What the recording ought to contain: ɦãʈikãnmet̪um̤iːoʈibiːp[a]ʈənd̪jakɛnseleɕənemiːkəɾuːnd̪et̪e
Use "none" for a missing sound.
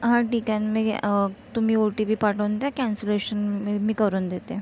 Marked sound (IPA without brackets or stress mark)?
a